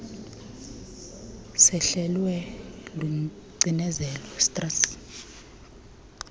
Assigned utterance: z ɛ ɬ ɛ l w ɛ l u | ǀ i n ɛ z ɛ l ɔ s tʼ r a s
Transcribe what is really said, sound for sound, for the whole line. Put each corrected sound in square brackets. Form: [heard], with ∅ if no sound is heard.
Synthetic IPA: [s] ɛ ɬ ɛ l w ɛ l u | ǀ i n ɛ z ɛ l ɔ s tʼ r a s

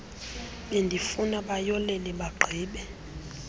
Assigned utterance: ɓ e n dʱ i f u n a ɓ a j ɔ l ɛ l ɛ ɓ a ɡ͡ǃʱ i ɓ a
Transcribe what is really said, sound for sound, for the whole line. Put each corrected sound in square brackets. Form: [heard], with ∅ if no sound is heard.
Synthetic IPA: ɓ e n dʱ i f u n a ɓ a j ɔ l ɛ l ɛ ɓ a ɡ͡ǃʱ [iː] ɓ [ɛ]

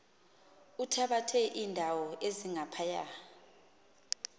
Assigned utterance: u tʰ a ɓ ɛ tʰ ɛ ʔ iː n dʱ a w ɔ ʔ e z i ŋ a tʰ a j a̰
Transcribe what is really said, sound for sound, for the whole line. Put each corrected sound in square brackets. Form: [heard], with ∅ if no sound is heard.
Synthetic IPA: u tʰ a ɓ [a] tʰ ɛ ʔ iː n dʱ a w ɔ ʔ e z i ŋ a [pʰ] a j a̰

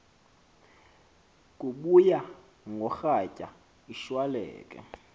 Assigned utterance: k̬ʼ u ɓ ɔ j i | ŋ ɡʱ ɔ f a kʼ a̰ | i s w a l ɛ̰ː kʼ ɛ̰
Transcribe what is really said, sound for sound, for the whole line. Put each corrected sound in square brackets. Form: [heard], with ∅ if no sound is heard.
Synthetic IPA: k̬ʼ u ɓ [u] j [a] | ŋ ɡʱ ɔ [x] a [cʼ] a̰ | i [ʃ] w a l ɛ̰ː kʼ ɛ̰

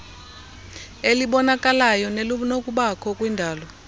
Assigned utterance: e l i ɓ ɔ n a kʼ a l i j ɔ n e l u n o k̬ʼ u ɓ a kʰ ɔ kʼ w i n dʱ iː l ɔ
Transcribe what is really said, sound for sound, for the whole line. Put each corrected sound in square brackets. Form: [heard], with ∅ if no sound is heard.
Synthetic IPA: e l i ɓ ɔ n a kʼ a l [a] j ɔ n e l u n o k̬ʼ u ɓ a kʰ ɔ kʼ w i n dʱ [aː] l ɔ

